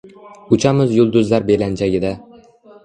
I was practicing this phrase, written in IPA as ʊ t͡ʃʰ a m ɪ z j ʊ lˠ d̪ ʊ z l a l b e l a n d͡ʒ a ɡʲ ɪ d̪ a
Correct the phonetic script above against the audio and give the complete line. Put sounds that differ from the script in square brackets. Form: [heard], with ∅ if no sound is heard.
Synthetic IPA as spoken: ʊ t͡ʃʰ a m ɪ z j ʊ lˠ d̪ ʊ z l a [ɾ] b e l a n d͡ʒ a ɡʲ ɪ d̪ a